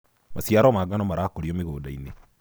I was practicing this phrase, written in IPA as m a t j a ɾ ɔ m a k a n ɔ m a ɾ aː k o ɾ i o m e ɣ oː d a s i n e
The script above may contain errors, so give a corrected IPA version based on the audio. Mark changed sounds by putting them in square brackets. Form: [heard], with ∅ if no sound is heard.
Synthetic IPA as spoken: m a [s] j a ɾ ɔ m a [ɡ] a n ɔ m a ɾ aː k o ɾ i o m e ɣ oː d a [∅] i n e